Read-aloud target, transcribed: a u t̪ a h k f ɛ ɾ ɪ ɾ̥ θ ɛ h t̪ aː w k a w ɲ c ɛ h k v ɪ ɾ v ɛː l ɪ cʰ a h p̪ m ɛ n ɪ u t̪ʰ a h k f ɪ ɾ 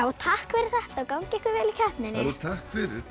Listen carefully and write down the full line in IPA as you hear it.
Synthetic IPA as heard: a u t̪ʰ a h k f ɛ ɾ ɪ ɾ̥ θ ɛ h t̪ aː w k a w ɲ c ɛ h k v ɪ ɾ v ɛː l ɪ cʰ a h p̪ n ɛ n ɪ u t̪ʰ a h k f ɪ ɾ